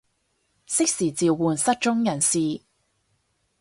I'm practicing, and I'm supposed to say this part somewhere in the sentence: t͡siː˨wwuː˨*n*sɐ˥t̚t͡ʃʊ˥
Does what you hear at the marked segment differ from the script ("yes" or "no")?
no